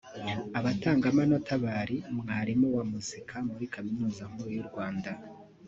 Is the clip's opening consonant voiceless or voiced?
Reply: voiced